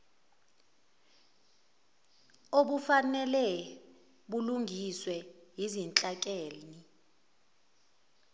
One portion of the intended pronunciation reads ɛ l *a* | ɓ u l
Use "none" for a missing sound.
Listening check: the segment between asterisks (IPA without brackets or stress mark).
ɛ